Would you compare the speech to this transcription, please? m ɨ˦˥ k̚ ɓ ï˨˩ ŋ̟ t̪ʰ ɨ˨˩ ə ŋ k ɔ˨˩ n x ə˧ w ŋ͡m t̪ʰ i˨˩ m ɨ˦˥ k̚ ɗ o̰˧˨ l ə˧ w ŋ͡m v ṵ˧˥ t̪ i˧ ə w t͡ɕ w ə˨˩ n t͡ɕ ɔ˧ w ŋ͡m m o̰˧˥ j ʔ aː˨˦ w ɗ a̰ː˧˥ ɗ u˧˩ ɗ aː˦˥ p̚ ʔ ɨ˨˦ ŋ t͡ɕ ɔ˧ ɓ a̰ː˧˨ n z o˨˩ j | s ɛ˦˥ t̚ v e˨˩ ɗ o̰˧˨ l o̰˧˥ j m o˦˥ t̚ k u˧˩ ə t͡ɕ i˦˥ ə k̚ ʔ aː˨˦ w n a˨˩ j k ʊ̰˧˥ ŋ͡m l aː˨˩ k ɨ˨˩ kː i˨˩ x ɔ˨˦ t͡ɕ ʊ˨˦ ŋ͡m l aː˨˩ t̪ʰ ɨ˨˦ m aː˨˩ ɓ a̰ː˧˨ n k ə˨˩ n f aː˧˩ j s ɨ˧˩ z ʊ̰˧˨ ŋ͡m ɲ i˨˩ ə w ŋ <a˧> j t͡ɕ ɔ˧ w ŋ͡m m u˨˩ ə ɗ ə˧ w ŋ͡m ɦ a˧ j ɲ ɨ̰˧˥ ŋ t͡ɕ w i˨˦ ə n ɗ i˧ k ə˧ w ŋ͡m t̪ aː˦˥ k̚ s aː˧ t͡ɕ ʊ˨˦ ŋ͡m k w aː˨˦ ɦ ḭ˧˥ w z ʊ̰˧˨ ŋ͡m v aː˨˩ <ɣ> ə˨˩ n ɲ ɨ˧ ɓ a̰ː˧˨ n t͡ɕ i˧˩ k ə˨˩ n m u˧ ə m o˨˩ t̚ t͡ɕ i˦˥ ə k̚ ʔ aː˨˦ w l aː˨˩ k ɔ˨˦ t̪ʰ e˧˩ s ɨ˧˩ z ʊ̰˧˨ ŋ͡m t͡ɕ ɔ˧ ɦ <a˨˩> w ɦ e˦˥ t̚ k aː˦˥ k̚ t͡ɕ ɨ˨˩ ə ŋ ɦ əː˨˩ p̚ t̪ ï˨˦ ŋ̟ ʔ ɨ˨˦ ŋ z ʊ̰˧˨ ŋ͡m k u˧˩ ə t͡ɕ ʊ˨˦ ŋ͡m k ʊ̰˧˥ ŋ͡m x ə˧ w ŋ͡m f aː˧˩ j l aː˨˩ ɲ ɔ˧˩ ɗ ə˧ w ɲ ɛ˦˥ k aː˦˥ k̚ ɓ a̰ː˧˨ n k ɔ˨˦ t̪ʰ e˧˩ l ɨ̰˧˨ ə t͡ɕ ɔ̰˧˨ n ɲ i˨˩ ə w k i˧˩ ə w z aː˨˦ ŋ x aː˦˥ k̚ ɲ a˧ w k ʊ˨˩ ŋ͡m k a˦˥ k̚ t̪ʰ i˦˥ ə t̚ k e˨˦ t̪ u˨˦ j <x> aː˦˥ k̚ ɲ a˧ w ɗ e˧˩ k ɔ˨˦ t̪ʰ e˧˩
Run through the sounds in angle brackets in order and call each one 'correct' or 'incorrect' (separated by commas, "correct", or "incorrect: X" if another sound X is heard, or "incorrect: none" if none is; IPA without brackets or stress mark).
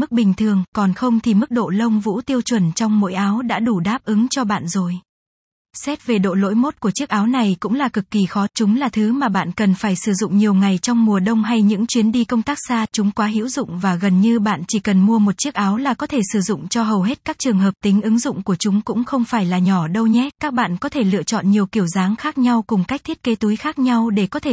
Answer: incorrect: a˨˩, correct, incorrect: ə˨˩, correct